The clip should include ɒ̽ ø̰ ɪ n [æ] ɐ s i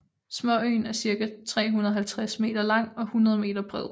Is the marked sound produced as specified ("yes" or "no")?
yes